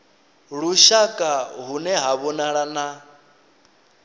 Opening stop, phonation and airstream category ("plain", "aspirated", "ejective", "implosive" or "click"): ejective